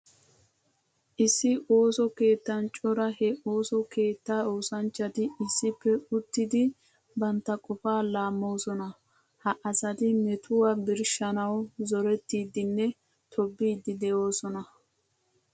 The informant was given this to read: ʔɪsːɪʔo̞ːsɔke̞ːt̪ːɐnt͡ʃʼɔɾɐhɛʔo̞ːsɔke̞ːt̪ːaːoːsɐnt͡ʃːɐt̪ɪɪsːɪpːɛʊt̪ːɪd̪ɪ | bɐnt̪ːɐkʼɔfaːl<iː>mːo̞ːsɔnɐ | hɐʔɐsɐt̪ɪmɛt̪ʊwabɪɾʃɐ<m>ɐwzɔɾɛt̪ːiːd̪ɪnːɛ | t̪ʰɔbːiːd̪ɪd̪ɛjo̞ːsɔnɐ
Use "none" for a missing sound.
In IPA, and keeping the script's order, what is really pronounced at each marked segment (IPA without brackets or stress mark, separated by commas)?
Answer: aː, n